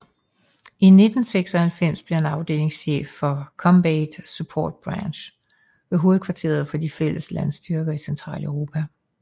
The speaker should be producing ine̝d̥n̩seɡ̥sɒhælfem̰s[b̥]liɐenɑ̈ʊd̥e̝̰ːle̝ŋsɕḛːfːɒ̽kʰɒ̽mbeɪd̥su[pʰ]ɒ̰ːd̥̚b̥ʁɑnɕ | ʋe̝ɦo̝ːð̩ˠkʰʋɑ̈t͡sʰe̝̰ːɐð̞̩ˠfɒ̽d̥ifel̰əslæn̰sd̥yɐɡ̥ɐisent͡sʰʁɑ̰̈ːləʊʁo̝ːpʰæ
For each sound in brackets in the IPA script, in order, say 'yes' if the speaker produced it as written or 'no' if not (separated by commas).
yes, yes